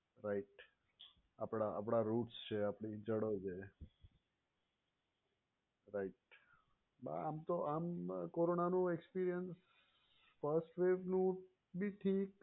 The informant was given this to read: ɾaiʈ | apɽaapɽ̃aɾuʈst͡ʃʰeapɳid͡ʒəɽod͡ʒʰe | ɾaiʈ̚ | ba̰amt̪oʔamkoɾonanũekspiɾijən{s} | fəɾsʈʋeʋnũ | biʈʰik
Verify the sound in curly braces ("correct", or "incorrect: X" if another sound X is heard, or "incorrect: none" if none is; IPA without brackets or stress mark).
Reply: correct